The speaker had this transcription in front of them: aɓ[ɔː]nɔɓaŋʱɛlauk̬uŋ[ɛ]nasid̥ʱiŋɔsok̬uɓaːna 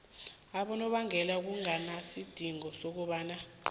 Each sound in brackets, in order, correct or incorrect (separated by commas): incorrect, incorrect